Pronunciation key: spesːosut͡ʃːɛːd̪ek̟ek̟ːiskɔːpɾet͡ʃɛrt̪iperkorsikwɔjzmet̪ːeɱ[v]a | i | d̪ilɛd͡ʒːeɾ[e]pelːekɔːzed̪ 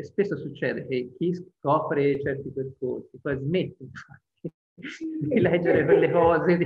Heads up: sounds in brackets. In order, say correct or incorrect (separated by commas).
incorrect, correct